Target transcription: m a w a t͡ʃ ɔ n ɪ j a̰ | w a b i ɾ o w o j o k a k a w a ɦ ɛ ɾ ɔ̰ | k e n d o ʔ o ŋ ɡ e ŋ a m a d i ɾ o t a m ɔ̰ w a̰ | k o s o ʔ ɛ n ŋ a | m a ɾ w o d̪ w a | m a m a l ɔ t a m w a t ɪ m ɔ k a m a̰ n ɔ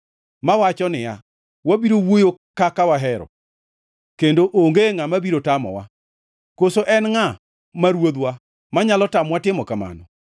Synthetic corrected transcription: m a w a t͡ʃ ɔ n ɪ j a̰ | w a b i ɾ o w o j o k a k a w a ɦ ɛ ɾ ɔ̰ | k e n d o ʔ o ŋ ɡ e ŋ a m a b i ɾ o t a m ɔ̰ w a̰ | k o s o ʔ ɛ n ŋ a | m a ɾ w o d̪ w a | m a ɲ a l ɔ t a m w a t ɪ m ɔ k a m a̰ n ɔ